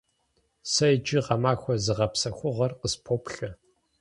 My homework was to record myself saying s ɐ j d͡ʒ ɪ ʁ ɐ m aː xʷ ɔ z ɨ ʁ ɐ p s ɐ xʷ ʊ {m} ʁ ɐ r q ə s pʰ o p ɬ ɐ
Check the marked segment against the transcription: incorrect: none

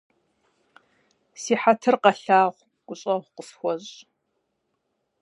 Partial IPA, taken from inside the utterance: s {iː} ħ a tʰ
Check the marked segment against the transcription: correct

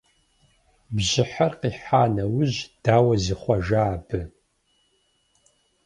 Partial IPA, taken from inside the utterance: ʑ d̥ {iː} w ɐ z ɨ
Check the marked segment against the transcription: incorrect: aː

